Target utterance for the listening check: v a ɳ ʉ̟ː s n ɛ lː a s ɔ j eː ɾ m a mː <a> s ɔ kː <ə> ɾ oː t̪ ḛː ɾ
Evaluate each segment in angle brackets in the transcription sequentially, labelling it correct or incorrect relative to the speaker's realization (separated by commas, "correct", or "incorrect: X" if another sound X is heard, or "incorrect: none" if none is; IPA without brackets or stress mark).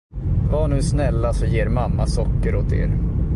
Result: correct, correct